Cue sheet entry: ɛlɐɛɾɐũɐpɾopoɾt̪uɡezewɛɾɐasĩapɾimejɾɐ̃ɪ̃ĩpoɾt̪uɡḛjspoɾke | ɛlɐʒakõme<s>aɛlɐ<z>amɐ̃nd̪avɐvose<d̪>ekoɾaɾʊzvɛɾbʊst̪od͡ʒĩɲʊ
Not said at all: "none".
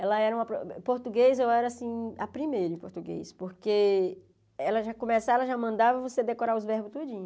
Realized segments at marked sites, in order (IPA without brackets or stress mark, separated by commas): s, ʒ, d̪